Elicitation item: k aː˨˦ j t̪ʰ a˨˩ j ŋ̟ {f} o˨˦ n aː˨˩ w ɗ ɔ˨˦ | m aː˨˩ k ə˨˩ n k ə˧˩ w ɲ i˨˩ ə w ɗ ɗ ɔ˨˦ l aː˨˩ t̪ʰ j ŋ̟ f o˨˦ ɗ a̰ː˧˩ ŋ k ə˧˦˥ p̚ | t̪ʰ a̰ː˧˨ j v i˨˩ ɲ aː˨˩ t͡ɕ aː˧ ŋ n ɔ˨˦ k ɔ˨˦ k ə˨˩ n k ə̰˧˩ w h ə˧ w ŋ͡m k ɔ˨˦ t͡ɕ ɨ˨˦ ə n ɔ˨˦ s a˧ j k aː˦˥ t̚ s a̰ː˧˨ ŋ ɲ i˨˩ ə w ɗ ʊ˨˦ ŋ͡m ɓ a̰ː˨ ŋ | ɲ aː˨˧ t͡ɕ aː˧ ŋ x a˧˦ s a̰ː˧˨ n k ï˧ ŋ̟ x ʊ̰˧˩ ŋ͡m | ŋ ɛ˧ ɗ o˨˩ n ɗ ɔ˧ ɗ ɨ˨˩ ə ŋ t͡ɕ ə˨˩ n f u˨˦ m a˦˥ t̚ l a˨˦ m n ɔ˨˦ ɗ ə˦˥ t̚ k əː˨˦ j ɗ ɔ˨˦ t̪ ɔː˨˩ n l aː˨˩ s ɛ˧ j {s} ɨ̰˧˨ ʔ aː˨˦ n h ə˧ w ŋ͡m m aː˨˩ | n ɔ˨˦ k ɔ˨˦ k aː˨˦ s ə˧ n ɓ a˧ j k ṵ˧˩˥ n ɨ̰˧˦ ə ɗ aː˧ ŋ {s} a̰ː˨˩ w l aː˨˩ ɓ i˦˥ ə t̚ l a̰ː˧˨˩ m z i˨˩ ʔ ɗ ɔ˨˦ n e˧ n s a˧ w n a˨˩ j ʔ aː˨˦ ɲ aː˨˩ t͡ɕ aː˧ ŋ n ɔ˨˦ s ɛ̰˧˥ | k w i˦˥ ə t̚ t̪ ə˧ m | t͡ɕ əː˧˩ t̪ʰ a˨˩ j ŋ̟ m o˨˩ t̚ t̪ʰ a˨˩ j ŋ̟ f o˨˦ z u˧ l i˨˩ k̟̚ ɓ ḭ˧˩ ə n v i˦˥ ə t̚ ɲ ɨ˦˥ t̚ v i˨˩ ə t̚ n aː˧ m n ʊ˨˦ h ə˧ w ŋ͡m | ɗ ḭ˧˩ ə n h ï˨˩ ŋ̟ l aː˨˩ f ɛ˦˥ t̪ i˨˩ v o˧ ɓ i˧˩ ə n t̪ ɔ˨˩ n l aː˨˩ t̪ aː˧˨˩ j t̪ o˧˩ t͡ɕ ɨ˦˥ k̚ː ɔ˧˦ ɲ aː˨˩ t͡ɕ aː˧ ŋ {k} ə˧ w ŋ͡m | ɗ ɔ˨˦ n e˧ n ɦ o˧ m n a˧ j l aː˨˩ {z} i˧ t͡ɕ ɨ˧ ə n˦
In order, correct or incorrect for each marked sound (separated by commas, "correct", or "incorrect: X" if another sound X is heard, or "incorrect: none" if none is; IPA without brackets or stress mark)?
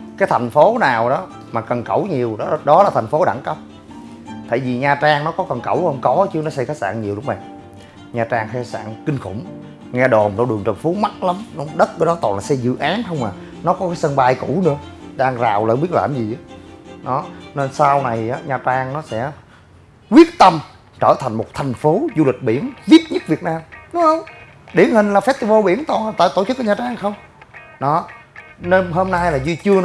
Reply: correct, incorrect: z, incorrect: z, incorrect: x, correct